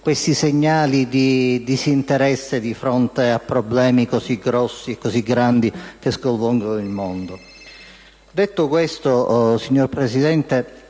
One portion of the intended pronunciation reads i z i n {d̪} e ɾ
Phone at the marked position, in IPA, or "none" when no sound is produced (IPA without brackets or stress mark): t̪